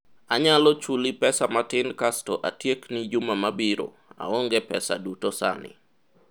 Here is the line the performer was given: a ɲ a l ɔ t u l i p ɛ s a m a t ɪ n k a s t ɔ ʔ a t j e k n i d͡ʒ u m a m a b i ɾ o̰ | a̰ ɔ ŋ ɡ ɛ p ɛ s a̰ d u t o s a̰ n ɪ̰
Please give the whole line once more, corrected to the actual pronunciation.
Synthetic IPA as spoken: a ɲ a l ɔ t͡ʃ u l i p ɛ s a m a t ɪ n k a s t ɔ ʔ a t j e k n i d͡ʒ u m a m a b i ɾ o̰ | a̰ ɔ ŋ ɡ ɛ p ɛ s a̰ d u t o s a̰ n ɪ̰